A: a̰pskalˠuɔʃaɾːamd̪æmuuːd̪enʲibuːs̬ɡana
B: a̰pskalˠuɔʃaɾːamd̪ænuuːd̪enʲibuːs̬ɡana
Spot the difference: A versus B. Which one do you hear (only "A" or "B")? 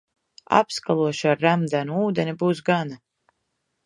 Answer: B